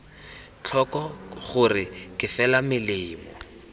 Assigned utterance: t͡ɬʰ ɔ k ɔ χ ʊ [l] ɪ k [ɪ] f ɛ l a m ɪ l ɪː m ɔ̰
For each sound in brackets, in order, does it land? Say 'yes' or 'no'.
no, yes

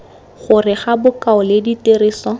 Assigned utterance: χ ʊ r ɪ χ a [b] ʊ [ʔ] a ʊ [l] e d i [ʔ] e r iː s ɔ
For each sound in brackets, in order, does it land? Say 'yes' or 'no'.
yes, no, yes, no

